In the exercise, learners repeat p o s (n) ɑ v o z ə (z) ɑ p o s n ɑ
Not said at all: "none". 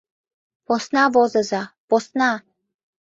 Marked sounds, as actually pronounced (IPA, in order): n, z

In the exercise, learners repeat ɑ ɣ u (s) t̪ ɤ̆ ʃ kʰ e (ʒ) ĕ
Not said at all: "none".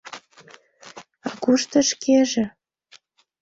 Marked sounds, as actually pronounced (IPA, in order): ʃ, ʒ

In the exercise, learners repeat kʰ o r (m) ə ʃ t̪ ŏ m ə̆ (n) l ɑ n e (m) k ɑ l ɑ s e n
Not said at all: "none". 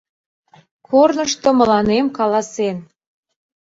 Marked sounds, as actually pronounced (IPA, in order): n, none, m

